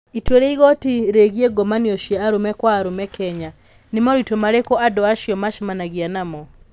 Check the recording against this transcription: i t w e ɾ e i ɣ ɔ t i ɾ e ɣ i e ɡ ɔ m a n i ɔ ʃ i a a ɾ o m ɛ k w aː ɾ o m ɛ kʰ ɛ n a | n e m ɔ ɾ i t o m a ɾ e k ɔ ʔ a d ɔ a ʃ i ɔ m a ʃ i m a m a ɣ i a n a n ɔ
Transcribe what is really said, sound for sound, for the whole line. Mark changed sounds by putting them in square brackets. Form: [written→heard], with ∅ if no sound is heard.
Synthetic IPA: i t w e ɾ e i ɣ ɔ t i ɾ e ɣ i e ɡ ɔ m a n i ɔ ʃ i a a ɾ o m ɛ k w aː ɾ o m ɛ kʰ ɛ [n→ɲ] a | n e m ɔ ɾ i t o m a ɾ e k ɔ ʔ a d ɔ a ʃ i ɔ m a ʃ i m a [m→n] a ɣ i a n a [n→m] ɔ